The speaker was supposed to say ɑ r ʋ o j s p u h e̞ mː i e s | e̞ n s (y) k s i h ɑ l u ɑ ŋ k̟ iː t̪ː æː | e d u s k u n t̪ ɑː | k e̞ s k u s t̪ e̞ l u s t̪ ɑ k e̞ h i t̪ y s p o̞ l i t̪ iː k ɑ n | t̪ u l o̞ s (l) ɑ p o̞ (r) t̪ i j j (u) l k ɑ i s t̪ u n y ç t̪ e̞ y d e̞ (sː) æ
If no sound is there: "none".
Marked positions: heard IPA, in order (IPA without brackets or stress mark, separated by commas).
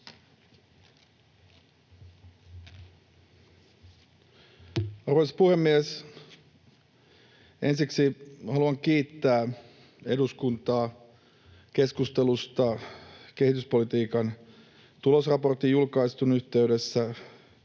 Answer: i, r, r, u, sː